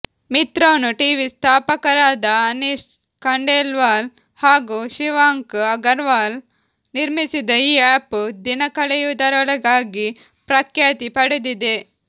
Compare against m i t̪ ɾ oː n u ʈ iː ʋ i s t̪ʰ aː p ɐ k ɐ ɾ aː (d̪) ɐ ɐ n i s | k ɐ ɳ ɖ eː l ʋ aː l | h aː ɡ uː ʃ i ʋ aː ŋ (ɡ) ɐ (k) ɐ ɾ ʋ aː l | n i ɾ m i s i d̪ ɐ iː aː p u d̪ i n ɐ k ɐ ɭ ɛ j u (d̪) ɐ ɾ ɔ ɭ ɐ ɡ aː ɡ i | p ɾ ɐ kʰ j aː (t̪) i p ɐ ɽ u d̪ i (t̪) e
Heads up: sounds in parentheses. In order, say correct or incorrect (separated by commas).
correct, incorrect, incorrect, correct, correct, incorrect